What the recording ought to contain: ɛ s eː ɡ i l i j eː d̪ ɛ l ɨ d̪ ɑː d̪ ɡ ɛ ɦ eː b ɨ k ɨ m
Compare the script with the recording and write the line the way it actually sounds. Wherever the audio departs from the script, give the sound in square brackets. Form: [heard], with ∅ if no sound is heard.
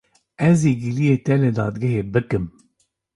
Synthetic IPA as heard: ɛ [z] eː ɡ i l i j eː [t̪] ɛ l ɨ d̪ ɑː d̪ ɡ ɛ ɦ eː b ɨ k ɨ m